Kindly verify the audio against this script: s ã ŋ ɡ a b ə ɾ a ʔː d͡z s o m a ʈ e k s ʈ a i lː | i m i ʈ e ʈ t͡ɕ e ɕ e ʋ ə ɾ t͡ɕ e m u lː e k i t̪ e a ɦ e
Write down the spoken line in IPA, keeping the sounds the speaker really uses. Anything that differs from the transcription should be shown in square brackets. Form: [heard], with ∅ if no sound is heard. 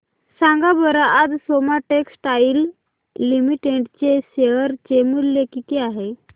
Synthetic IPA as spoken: s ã ŋ ɡ a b ə ɾ a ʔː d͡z s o m a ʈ e k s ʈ a i lː | i m i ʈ e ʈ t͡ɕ e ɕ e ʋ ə ɾ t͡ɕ e m u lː e k i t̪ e a ɦ e